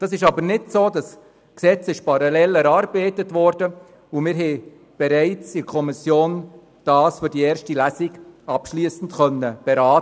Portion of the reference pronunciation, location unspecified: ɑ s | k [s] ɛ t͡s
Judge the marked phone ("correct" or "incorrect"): correct